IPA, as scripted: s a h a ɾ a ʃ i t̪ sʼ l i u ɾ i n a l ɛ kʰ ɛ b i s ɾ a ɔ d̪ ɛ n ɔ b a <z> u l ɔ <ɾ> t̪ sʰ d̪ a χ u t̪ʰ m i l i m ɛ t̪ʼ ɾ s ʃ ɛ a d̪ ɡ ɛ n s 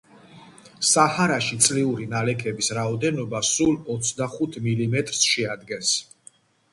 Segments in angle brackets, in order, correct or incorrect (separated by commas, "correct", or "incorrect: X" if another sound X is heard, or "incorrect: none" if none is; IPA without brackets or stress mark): incorrect: s, incorrect: none